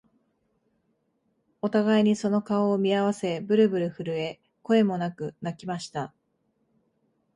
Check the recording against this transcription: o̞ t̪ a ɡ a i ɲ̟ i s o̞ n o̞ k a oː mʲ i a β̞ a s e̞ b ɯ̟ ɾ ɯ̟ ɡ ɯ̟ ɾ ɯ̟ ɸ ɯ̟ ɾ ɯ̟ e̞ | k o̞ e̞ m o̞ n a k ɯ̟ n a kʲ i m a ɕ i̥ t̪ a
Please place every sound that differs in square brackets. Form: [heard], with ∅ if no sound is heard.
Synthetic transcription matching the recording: o̞ t̪ a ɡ a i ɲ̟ i s o̞ n o̞ k a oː mʲ i a β̞ a s e̞ b ɯ̟ ɾ ɯ̟ [b] ɯ̟ ɾ ɯ̟ ɸ ɯ̟ ɾ ɯ̟ e̞ | k o̞ e̞ m o̞ n a k ɯ̟ n a kʲ i m a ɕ i̥ t̪ a